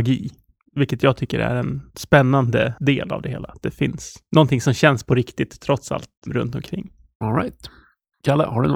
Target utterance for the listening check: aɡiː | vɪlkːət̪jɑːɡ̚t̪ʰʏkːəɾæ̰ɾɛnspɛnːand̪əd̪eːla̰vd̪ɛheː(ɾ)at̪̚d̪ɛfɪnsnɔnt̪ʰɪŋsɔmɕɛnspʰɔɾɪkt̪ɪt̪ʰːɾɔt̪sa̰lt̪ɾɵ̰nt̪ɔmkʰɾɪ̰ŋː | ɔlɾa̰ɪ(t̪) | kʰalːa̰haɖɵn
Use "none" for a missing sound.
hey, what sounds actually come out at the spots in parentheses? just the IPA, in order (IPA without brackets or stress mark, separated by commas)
l, t̪